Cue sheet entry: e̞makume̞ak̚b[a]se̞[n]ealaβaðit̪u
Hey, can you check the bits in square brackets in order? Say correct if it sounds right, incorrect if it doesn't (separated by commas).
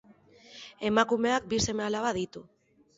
incorrect, incorrect